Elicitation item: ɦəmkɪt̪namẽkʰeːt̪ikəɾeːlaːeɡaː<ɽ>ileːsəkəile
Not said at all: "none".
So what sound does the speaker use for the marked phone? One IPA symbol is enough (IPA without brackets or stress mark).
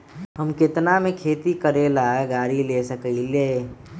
ɾ